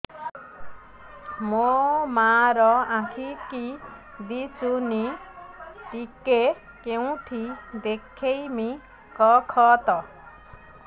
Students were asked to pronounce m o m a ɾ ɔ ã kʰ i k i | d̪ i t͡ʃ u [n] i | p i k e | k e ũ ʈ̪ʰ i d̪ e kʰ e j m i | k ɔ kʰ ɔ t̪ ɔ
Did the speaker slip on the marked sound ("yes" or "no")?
no